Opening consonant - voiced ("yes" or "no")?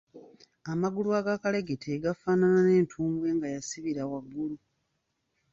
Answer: yes